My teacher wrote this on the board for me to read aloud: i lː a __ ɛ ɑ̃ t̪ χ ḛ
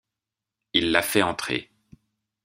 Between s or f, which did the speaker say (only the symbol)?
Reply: f